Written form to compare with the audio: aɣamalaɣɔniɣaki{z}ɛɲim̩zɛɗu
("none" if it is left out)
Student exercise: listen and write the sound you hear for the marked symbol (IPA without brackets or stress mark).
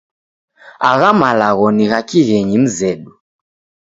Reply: ɣ